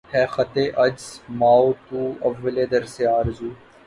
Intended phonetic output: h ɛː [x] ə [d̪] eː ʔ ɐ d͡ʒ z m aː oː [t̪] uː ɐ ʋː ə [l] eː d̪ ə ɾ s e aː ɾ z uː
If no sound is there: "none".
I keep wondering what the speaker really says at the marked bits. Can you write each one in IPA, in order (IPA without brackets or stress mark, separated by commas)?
x, t̪, t̪, l